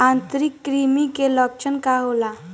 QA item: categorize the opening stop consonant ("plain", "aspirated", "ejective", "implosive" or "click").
plain